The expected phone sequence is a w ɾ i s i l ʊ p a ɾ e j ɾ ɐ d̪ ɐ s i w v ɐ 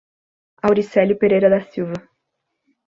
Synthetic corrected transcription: a w ɾ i s ɛ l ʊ p e ɾ e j ɾ ɐ d̪ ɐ s i w v ɐ